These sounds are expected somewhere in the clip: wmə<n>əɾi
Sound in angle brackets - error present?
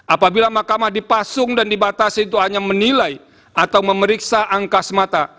yes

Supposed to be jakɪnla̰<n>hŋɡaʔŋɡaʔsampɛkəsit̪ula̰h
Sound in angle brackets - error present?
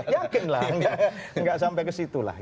yes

